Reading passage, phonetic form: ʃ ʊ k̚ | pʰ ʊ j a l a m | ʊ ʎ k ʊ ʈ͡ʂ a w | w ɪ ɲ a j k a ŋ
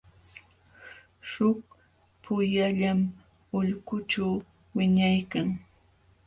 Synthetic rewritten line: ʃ ʊ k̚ | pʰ ʊ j a ʎ a m | ʊ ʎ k ʊ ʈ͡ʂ a w | w ɪ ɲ a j k a ŋ

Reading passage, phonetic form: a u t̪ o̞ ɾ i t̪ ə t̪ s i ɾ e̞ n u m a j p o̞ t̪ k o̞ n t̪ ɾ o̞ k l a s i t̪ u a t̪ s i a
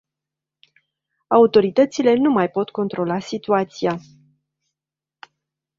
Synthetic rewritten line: a u t̪ o̞ ɾ i t̪ ə t̪ s i l e̞ n u m a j p o̞ t̪ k o̞ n t̪ ɾ o̞ l a s i t̪ u a t̪ s i a

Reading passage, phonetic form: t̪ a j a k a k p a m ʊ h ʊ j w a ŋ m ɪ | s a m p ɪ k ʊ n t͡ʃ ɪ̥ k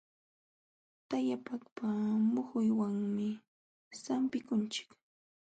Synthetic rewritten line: t̪ a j a p a k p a m ʊ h ʊ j w a ŋ m ɪ | s a m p ɪ k ʊ n t͡ʃ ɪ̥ k

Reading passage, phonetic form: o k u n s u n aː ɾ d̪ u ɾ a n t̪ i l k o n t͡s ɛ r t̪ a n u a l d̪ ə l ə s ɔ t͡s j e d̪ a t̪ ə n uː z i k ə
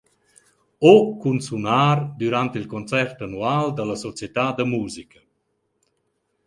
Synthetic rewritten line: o k u n s u n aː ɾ d̪ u ɾ a n t̪ i l k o n t͡s ɛ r t̪ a n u a l d̪ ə l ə s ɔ t͡s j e t̪ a d̪ ə m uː z i k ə

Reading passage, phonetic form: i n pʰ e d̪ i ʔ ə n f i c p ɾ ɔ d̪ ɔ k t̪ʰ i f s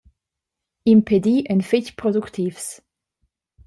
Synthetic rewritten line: i m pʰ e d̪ i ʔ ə n f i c p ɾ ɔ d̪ u k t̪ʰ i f s

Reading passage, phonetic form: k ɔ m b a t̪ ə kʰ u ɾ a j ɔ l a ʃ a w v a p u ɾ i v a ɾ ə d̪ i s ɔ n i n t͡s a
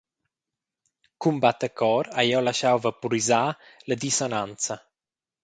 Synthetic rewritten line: k u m b a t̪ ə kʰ ɔ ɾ a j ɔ l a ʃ a w v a p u ɾ i z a l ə d̪ i s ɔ n a n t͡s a

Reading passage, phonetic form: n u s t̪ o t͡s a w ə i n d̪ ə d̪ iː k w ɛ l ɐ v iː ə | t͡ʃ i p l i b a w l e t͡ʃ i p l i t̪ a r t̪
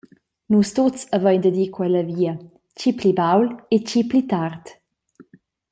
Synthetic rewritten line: n u s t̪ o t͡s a v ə j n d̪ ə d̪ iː k w ɛ l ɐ v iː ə | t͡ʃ i p l i b a w l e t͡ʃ i p l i t̪ a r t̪

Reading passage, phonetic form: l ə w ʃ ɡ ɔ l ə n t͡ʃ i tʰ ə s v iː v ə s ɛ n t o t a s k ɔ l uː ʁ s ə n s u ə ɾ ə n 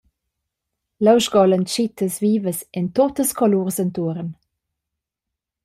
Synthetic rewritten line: l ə w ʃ ɡ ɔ l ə n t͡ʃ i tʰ ə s v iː v ə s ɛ n t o t ə s k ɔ l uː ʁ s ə n t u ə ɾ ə n

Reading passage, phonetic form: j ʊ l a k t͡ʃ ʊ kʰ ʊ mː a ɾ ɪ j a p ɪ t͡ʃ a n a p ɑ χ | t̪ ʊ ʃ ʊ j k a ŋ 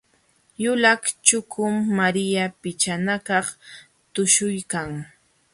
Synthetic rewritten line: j ʊ l a k t͡ʃ ʊ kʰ ʊ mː a ɾ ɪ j a p ɪ t͡ʃ a n a k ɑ χ | t̪ ʊ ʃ ʊ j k a ŋ

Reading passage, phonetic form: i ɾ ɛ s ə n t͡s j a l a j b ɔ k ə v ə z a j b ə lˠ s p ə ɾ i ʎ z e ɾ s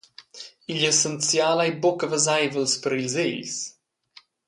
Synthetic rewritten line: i ʎ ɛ s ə n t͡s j a l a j b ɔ k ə v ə z a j v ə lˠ s p ə ɾ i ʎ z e ʎ s

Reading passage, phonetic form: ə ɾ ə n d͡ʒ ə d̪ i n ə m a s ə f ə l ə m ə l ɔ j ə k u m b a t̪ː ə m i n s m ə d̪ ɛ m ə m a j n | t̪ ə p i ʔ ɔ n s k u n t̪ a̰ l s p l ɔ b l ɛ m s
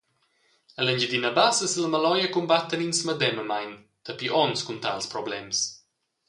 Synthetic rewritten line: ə l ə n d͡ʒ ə d̪ i n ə b a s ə s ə l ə m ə l ɔ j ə k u m b a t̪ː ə n i n s m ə d̪ ɛ m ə m a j n | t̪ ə p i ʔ ɔ n s k u n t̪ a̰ l s p ɾ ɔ b l ɛ m s

